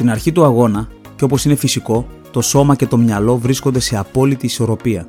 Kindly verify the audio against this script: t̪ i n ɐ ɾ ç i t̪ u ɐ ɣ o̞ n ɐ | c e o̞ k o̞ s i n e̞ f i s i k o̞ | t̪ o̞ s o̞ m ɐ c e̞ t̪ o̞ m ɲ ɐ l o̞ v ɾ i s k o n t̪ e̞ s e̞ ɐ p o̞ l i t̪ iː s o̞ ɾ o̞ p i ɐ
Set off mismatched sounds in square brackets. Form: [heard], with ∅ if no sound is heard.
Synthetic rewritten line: t̪ i n ɐ ɾ ç i t̪ u ɐ ɣ o̞ n ɐ | c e o̞ [p] o̞ s i n e̞ f i s i k o̞ | t̪ o̞ s o̞ m ɐ c e̞ t̪ o̞ m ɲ ɐ l o̞ v ɾ i s k o n [d̪] e̞ s e̞ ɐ p o̞ l i t̪ iː s o̞ ɾ o̞ p i ɐ